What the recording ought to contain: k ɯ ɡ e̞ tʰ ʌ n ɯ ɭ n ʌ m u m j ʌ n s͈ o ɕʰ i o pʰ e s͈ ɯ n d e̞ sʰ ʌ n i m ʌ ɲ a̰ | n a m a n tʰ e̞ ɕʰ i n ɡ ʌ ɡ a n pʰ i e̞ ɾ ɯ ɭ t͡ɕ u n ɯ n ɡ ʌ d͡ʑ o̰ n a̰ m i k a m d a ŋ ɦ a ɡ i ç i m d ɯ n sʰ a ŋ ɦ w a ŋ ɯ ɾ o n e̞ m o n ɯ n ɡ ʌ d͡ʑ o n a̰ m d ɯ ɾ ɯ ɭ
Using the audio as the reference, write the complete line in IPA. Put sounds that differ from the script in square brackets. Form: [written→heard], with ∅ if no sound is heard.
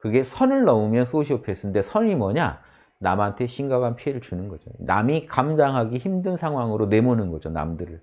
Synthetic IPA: k ɯ ɡ e̞ [tʰ→sʰ] ʌ n ɯ ɭ n ʌ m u m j ʌ n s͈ o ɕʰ i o pʰ e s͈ ɯ n d e̞ sʰ ʌ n i m ʌ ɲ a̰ | n a m a n tʰ e̞ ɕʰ i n ɡ [ʌ→a] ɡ a n pʰ i e̞ ɾ ɯ ɭ t͡ɕ u n ɯ n ɡ ʌ d͡ʑ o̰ n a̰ m i k a m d a ŋ ɦ a ɡ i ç i m d ɯ n sʰ a ŋ ɦ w a ŋ ɯ ɾ o n e̞ m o n ɯ n ɡ ʌ d͡ʑ o n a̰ m d ɯ ɾ ɯ ɭ